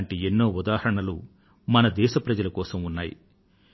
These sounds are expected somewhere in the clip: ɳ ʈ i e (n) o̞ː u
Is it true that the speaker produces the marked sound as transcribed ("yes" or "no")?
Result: no